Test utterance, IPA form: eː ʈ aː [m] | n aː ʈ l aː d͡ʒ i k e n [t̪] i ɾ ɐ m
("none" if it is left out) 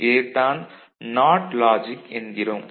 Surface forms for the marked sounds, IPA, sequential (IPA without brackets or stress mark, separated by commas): n, d̪